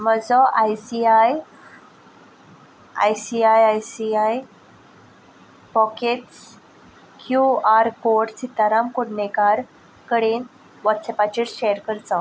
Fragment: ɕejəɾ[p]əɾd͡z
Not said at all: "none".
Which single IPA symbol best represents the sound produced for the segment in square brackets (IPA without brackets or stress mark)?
k